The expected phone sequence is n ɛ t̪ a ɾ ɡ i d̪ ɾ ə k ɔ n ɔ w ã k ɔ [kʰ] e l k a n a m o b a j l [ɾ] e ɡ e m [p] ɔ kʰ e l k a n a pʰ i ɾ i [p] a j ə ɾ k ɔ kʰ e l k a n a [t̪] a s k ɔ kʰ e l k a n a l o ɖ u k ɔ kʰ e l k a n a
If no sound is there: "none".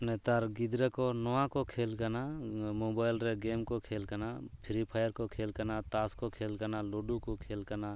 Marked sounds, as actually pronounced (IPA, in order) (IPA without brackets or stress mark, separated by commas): kʰ, ɾ, k, pʰ, t̪